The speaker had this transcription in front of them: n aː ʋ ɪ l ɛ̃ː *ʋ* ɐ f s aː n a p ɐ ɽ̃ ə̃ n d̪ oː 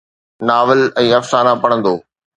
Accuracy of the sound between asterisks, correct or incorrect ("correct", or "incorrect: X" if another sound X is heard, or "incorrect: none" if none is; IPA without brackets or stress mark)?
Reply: incorrect: none